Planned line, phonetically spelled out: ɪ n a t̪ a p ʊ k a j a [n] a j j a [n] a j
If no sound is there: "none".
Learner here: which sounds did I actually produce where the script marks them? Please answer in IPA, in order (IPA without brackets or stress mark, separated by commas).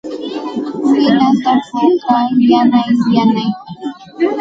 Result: n, n